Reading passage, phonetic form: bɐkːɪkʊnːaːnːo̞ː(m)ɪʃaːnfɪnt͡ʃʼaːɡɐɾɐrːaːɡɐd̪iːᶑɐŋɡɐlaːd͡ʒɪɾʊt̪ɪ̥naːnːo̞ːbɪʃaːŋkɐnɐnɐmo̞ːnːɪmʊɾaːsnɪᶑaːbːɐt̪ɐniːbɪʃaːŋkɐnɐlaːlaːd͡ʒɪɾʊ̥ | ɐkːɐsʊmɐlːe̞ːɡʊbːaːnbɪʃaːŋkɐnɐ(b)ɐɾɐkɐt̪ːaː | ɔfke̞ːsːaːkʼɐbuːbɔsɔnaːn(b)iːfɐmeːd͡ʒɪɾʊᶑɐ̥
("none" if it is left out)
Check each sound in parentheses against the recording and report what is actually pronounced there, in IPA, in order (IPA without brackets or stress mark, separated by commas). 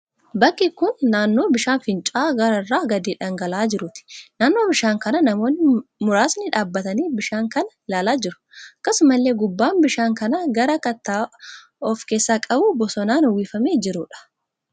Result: b, ɡ, w